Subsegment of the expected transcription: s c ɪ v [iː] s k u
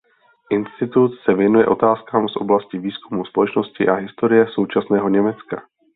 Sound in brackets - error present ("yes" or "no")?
no